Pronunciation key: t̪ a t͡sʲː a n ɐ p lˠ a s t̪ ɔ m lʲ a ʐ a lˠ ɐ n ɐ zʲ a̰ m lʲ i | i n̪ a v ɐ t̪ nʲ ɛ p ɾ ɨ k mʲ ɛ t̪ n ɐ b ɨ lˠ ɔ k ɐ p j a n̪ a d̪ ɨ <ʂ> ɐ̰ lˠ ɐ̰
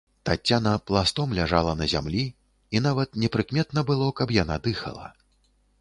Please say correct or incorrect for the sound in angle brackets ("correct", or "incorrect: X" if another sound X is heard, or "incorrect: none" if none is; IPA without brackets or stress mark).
incorrect: x